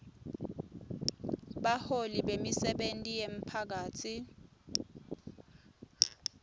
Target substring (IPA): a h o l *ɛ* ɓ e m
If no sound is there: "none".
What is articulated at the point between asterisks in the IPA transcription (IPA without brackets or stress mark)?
i